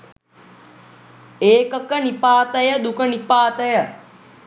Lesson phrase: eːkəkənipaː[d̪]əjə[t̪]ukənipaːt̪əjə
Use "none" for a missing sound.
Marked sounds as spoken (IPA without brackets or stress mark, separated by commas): t̪, d̪